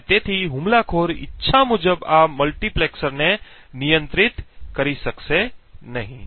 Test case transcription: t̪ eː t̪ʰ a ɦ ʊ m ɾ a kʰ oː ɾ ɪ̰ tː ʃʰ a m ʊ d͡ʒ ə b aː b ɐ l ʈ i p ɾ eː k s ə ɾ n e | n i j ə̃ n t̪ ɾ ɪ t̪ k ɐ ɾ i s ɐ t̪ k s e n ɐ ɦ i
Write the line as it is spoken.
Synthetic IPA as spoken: t̪ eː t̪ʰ i ɦ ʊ m l a kʰ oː ɾ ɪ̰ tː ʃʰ a m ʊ d͡ʒ ə b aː m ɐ l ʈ i p l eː k s ə ɾ n e | n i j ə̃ n t̪ ɾ ɪ t̪ k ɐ ɾ i s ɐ k s e n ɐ ɦ ĩ